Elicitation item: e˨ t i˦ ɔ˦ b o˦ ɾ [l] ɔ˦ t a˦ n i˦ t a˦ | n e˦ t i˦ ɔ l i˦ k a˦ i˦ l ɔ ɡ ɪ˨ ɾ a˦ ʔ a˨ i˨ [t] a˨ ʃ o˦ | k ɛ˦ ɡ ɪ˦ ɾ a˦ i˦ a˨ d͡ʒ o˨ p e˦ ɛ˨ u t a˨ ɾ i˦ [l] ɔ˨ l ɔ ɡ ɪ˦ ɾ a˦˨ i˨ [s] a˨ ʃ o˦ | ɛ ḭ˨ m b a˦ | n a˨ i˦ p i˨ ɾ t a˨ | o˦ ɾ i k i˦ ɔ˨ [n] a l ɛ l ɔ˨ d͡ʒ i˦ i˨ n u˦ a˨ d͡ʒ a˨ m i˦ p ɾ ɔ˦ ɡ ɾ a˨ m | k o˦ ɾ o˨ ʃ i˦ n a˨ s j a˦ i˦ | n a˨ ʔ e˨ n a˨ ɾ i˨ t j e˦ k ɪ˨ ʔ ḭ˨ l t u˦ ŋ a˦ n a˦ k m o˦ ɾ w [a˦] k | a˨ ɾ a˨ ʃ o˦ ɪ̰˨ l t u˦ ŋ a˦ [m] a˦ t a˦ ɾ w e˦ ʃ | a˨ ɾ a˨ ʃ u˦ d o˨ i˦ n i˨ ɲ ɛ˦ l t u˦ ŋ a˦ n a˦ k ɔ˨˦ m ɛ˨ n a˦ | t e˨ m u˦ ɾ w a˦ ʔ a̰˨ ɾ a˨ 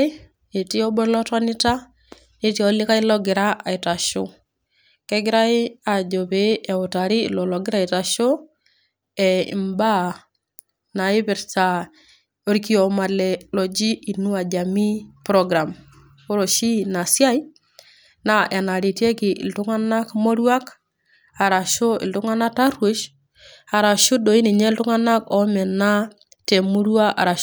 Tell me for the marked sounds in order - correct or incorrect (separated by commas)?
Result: correct, correct, correct, incorrect, incorrect, correct, incorrect